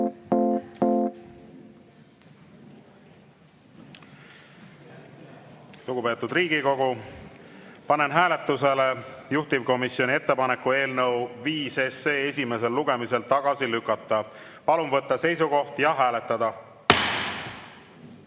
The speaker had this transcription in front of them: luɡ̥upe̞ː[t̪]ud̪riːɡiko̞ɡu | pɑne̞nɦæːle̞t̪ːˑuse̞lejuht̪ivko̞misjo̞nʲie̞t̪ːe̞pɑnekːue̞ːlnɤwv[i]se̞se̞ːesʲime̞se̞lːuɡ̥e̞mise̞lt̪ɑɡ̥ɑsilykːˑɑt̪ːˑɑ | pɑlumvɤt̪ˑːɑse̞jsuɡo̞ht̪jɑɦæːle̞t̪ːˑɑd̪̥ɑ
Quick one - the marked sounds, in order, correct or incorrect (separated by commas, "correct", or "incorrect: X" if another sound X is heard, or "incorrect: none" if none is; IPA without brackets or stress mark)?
correct, incorrect: iː